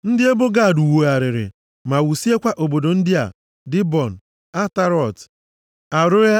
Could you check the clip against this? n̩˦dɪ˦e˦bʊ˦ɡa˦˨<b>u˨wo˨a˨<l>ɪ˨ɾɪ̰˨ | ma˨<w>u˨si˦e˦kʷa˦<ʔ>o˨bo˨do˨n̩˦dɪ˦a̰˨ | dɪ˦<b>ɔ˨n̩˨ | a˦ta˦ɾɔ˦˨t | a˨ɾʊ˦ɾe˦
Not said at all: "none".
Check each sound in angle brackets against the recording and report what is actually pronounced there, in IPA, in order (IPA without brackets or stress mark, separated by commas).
d, ɾ, w, ʔ, b